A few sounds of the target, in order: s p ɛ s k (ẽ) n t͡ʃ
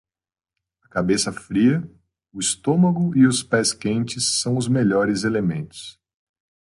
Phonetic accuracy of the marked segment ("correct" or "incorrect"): correct